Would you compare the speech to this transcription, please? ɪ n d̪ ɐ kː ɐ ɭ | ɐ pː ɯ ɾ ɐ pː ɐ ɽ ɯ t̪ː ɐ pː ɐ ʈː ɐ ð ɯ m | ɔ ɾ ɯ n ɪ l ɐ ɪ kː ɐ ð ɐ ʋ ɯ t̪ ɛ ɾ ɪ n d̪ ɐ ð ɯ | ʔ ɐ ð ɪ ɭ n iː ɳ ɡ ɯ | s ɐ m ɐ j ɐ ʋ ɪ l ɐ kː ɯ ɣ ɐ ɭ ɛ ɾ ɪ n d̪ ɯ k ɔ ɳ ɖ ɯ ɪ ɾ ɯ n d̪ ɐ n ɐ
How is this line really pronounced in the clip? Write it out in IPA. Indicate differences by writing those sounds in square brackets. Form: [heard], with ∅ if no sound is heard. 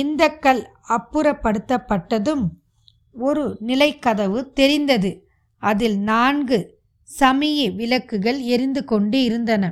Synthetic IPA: ɪ n d̪ ɐ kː ɐ ɭ | ɐ pː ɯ ɾ ɐ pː ɐ ɽ ɯ t̪ː ɐ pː ɐ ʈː ɐ ð ɯ m | ɔ ɾ ɯ n ɪ l ɐ ɪ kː ɐ ð ɐ ʋ ɯ t̪ ɛ ɾ ɪ n d̪ ɐ ð ɯ | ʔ ɐ ð ɪ [l] n [aː] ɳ ɡ ɯ | s ɐ m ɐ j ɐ ʋ ɪ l ɐ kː ɯ ɣ ɐ ɭ ɛ ɾ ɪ n d̪ ɯ k ɔ ɳ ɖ ɯ ɪ ɾ ɯ n d̪ ɐ n ɐ